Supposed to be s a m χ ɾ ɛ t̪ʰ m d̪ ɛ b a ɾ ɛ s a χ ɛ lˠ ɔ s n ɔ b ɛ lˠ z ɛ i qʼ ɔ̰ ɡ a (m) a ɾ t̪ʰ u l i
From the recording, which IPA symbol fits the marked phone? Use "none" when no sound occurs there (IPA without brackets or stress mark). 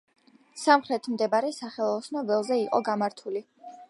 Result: m